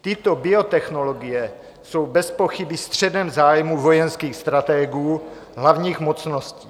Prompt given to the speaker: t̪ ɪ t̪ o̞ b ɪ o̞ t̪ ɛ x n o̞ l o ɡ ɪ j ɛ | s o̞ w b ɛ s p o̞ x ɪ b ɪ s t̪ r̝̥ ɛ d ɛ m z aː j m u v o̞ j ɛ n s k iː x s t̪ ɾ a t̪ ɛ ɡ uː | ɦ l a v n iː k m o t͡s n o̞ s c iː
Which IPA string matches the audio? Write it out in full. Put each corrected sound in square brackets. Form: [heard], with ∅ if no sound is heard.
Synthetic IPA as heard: t̪ ɪ t̪ o̞ b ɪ o̞ t̪ ɛ x n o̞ l o ɡ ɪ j ɛ | s o̞ w b ɛ s p o̞ x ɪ b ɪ s t̪ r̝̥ ɛ d ɛ m z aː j m u v o̞ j ɛ n s k iː x s t̪ ɾ a t̪ ɛ ɡ uː | ɦ l a v [ɲ] iː [x] m o t͡s n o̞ s c iː